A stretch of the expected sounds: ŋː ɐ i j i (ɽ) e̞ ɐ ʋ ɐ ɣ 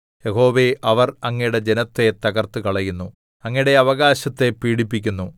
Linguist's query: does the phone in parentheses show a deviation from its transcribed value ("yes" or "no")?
no